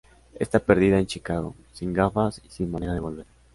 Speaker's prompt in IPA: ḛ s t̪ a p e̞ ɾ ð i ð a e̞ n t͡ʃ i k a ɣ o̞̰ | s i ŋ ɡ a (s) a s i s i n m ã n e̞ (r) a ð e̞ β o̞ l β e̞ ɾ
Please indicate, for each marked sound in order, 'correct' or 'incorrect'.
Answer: incorrect, incorrect

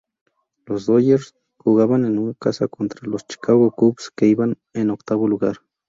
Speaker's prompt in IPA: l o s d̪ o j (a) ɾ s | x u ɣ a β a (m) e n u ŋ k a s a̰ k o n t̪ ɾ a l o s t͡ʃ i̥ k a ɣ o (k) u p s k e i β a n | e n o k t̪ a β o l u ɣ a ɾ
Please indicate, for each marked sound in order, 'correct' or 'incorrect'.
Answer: incorrect, incorrect, correct

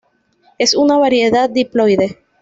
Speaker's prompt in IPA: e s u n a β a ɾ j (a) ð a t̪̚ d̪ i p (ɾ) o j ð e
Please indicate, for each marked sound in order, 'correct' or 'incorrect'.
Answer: incorrect, incorrect

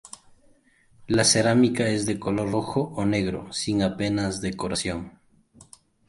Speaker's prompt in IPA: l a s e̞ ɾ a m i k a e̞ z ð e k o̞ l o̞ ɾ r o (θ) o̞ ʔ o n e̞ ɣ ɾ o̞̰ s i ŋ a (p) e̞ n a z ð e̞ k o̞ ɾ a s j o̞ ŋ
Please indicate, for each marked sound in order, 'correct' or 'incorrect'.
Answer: incorrect, correct

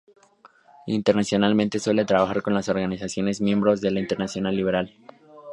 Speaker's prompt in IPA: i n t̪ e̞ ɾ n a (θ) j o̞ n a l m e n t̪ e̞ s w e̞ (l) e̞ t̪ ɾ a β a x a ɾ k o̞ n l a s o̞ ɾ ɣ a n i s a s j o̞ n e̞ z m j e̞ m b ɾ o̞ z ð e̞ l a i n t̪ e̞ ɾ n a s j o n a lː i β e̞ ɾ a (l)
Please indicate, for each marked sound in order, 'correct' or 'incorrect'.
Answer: incorrect, correct, correct

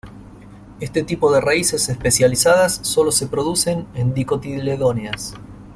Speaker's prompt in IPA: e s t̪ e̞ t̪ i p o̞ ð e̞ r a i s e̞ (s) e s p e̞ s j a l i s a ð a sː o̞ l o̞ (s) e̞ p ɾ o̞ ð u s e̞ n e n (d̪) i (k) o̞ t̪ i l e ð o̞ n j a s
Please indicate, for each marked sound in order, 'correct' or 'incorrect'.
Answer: correct, correct, correct, correct

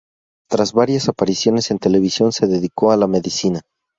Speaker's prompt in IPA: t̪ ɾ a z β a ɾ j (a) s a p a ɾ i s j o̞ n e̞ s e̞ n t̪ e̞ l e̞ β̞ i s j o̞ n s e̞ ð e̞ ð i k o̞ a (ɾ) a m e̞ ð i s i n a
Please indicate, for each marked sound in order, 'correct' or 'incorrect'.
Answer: correct, incorrect

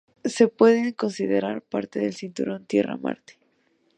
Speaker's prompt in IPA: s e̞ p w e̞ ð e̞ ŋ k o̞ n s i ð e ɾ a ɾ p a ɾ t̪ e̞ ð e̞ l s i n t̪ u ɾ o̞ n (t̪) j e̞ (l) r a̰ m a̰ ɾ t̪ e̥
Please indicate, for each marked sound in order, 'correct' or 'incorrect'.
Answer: correct, incorrect

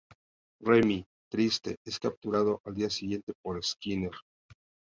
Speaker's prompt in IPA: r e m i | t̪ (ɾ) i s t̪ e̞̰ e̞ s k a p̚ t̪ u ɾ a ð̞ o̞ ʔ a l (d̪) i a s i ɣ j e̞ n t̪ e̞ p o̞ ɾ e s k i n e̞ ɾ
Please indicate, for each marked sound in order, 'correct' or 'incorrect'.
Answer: correct, correct

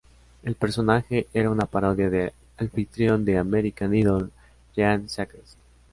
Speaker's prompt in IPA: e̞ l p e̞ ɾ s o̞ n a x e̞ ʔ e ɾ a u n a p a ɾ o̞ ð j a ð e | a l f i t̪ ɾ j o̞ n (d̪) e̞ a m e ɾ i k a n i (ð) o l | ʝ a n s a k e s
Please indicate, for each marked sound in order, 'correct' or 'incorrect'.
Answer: correct, correct

